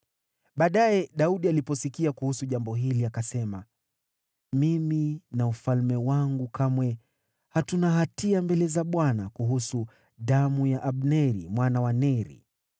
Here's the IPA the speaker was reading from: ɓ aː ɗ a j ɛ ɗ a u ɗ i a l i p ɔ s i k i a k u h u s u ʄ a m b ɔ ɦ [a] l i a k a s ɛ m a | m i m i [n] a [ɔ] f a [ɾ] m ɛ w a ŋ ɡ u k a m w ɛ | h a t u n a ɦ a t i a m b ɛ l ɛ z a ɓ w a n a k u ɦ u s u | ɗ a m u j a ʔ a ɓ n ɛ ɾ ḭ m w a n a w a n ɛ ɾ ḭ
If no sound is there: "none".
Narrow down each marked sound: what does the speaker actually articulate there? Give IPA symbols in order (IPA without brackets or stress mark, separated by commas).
i, n, u, l